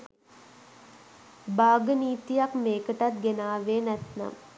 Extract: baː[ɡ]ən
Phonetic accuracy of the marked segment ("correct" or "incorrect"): correct